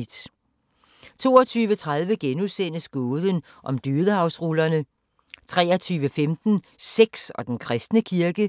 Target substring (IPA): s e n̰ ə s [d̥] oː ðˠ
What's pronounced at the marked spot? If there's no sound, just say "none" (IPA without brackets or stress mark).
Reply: ɡ̥